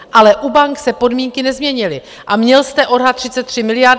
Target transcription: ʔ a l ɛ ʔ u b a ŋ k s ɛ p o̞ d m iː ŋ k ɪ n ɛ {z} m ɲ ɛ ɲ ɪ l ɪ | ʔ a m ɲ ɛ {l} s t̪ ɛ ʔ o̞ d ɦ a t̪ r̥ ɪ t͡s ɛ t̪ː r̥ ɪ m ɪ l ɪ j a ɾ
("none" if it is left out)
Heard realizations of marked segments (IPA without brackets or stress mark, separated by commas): z, l